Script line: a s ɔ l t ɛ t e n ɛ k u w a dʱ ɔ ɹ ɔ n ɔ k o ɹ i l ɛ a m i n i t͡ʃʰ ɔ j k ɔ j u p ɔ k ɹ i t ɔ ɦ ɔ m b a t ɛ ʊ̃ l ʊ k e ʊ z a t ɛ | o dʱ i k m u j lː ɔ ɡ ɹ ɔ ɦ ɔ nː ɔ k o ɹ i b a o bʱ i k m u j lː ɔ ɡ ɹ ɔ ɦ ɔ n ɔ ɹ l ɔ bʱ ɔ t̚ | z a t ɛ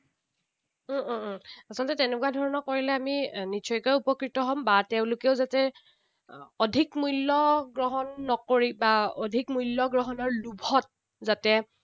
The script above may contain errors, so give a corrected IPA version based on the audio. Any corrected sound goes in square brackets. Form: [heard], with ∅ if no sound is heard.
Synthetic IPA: a s ɔ l t ɛ t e n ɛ k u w a dʱ ɔ ɹ ɔ n ɔ k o ɹ i l ɛ a m i n i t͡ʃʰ ɔ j k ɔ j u p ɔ k ɹ i t ɔ ɦ ɔ m b a t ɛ ʊ̃ l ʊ k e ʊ z a t ɛ | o dʱ i k m u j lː ɔ ɡ ɹ ɔ ɦ ɔ nː ɔ k o ɹ i b a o [dʱ] i k m u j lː ɔ ɡ ɹ ɔ ɦ ɔ n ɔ ɹ l [u] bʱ ɔ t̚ | z a t ɛ